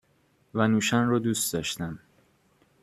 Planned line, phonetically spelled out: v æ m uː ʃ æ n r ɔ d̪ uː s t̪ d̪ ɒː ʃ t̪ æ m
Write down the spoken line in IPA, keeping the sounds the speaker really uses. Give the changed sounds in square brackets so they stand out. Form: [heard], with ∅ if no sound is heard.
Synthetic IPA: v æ [n] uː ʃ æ n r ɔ d̪ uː s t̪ d̪ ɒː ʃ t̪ æ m